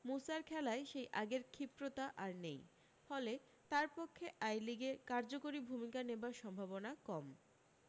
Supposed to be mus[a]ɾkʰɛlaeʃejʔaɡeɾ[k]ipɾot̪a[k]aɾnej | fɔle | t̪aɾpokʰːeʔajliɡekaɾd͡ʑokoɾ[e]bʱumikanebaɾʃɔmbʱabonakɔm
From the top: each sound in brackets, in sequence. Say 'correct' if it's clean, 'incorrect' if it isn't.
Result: correct, incorrect: kʰ, incorrect: ʔ, incorrect: i

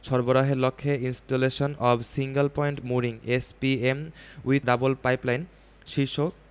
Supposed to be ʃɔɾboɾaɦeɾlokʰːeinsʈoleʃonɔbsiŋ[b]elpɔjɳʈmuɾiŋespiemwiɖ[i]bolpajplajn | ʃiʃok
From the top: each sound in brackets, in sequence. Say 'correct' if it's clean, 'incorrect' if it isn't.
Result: incorrect: ɡ, incorrect: a

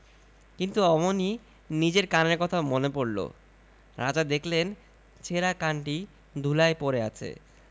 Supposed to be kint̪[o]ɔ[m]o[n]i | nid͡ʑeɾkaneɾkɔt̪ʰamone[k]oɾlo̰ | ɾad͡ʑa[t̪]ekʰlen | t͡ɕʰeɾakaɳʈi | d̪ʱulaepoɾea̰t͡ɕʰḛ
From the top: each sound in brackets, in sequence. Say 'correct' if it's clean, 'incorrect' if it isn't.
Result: incorrect: u, correct, correct, incorrect: p, incorrect: d̪

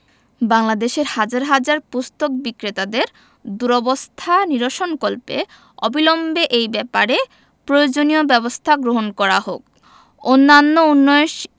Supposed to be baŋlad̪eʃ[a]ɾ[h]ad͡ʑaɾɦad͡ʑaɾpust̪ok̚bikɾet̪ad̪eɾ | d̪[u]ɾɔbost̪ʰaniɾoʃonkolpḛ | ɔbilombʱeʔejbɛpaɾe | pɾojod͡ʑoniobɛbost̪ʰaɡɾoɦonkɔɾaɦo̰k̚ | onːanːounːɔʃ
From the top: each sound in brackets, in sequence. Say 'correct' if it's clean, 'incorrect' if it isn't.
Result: incorrect: e, correct, correct

